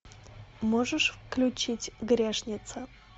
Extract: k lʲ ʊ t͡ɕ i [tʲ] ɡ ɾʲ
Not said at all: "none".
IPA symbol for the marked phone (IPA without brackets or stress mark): tʲ